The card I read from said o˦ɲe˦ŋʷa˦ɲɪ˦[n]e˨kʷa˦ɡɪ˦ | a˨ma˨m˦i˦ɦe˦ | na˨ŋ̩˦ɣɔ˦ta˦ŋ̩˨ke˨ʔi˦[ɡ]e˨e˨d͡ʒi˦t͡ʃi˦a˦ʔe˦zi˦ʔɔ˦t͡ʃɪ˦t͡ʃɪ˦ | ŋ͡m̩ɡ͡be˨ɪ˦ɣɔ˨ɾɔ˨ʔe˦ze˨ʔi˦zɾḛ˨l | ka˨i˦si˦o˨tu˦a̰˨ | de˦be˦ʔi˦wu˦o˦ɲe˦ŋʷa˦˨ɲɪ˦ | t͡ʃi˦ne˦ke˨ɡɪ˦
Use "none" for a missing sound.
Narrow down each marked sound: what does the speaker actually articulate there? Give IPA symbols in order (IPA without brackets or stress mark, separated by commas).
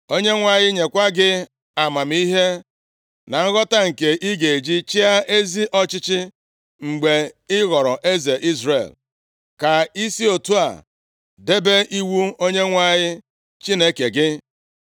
ɲ, ɡ